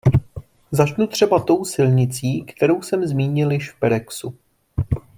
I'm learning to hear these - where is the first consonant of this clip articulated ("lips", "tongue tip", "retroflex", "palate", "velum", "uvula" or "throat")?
tongue tip